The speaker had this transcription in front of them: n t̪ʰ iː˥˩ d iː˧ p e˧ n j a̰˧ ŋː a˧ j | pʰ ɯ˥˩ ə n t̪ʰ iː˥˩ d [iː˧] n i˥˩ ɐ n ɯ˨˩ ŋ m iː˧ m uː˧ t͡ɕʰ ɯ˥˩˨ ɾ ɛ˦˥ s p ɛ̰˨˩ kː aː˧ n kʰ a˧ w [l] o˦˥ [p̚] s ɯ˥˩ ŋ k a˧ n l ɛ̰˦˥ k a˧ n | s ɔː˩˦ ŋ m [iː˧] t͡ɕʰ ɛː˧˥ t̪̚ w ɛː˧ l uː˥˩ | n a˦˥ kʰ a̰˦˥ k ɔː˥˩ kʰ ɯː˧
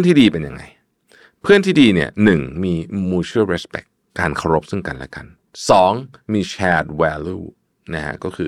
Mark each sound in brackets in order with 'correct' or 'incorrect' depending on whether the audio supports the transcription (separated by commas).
correct, incorrect, correct, correct